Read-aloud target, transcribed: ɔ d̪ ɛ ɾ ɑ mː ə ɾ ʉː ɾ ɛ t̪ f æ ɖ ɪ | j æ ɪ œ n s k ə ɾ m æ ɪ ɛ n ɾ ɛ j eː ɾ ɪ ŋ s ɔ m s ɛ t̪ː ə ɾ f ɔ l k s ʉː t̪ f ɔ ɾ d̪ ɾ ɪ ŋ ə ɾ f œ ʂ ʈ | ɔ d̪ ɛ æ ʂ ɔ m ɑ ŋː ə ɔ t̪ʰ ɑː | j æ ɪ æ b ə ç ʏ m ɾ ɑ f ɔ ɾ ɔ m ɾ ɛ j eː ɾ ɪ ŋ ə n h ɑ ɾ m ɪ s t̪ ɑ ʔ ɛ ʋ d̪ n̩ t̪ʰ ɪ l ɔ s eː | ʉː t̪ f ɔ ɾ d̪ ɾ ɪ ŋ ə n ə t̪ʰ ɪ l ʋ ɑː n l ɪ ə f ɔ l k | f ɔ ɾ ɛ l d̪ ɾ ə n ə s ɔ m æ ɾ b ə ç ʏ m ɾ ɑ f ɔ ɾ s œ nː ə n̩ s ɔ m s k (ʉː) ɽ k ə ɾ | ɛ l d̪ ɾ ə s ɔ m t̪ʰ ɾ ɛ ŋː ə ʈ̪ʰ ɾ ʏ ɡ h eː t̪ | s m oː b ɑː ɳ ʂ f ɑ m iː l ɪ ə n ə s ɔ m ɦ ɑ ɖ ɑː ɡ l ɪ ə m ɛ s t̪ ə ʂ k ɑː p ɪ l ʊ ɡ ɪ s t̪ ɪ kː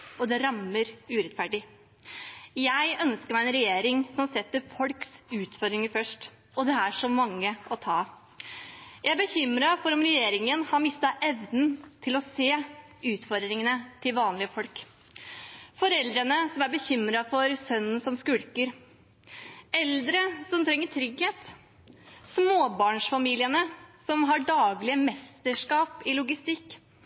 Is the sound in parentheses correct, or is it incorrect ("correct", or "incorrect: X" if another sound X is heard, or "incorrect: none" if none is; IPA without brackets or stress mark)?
incorrect: ʉ